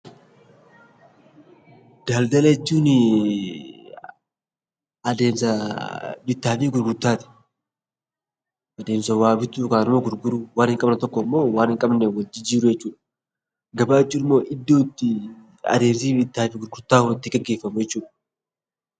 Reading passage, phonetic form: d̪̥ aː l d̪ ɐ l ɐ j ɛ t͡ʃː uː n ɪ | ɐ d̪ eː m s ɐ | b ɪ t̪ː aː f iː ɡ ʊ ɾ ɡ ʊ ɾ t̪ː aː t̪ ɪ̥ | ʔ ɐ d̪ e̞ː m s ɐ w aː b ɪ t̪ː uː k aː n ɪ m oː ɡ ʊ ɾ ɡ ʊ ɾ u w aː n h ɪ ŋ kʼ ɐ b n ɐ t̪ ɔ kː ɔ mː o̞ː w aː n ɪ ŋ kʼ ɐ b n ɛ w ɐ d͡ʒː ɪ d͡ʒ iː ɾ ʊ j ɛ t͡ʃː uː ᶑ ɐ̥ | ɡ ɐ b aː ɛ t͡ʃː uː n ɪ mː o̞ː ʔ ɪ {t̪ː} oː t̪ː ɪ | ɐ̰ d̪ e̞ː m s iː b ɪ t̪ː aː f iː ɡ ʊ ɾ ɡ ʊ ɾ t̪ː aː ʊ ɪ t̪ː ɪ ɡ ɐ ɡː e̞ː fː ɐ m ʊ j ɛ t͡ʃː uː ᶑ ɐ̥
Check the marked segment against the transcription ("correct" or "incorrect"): incorrect